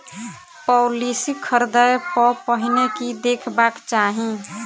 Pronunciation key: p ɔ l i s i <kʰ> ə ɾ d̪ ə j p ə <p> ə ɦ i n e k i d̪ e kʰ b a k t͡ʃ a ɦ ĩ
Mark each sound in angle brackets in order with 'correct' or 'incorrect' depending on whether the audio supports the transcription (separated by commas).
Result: correct, correct